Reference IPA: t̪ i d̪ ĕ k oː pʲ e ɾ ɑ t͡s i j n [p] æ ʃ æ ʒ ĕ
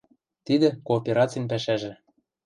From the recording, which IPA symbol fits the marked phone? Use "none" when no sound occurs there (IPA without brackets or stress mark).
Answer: p